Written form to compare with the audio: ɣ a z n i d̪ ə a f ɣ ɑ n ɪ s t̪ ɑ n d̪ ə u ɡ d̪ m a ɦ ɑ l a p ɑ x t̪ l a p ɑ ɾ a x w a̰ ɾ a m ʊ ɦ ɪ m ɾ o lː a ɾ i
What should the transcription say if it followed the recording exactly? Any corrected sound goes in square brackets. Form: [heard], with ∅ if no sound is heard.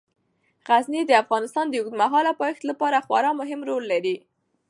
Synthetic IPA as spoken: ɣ a z n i d̪ ə a f ɣ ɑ n ɪ s t̪ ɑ n d̪ ə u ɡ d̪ m a ɦ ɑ l a p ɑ x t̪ l a p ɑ ɾ a x w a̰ ɾ [ɑ] m ʊ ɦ ɪ m ɾ o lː a ɾ i